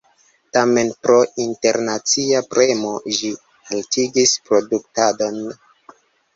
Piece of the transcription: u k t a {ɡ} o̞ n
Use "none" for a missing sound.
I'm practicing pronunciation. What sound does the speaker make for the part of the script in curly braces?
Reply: d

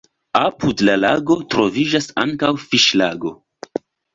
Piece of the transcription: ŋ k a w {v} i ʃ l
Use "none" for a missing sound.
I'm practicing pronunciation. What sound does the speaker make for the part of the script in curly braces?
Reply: f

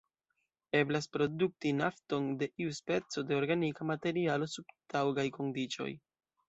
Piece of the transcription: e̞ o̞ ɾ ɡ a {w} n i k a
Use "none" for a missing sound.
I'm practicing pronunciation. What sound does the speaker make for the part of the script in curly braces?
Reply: none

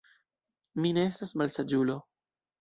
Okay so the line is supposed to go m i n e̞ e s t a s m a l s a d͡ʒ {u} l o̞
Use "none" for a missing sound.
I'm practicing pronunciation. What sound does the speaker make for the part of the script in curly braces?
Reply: u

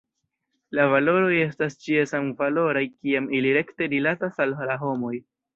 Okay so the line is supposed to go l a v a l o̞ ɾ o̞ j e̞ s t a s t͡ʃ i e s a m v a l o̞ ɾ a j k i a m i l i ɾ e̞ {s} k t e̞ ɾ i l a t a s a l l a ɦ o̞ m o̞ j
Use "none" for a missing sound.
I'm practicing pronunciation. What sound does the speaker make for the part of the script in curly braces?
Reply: none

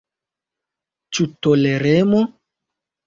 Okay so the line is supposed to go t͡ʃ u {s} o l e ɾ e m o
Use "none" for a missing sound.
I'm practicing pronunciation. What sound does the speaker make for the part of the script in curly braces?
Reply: t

